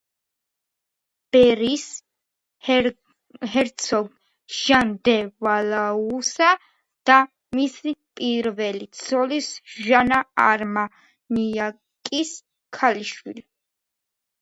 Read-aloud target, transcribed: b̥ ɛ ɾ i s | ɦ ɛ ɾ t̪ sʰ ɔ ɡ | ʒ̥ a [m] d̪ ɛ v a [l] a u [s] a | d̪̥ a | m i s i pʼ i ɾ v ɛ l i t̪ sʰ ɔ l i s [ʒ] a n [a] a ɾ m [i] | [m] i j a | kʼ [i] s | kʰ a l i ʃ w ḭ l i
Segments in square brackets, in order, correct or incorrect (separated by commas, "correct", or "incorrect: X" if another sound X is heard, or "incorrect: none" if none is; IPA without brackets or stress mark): incorrect: n, correct, correct, correct, correct, incorrect: a, incorrect: n, correct